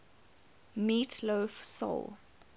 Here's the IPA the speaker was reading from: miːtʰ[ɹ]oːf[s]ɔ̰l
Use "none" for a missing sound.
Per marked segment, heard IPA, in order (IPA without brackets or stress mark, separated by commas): l, s